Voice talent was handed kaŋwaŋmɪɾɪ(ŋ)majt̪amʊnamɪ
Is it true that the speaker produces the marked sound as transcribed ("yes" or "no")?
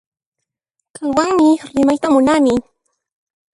no